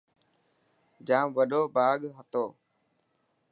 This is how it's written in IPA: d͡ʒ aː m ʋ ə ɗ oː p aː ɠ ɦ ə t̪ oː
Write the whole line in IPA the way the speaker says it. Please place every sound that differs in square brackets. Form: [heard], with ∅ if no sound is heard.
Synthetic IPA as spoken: d͡ʒ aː m ʋ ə ɗ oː [b] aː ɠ ɦ ə t̪ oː